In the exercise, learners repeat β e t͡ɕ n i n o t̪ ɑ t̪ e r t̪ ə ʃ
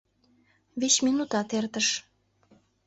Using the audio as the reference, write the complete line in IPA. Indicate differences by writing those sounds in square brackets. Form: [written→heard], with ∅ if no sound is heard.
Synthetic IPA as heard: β e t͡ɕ [n→m] i n [o→u] t̪ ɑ t̪ e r t̪ ə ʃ